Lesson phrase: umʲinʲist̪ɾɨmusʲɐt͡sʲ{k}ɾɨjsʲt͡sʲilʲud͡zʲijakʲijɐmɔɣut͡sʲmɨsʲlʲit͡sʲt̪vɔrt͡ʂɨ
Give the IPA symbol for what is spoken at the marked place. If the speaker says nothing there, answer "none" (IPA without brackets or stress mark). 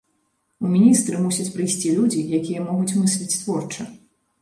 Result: p